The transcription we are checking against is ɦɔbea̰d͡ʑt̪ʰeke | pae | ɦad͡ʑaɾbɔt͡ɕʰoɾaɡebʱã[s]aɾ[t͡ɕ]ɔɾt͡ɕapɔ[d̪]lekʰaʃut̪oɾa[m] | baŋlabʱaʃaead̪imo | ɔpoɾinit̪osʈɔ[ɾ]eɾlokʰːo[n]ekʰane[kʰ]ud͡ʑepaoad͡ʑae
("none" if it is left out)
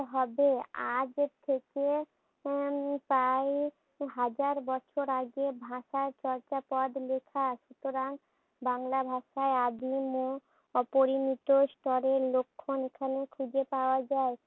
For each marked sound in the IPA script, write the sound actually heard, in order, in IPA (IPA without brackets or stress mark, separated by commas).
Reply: ʃ, t͡ɕ, d̪, ŋ, ɾ, n, kʰ